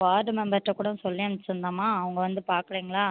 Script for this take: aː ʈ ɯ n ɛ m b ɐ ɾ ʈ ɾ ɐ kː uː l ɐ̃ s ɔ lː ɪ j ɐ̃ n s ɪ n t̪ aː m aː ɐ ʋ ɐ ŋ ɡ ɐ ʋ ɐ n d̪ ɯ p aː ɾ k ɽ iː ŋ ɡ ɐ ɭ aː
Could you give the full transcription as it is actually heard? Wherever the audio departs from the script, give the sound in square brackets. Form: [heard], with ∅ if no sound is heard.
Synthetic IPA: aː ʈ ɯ [m] ɛ m b ɐ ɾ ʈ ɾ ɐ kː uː [ɽ] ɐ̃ s ɔ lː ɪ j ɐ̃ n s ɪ n [d̪] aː m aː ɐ ʋ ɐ ŋ ɡ ɐ ʋ ɐ n d̪ ɯ p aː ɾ k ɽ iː ŋ ɡ ɐ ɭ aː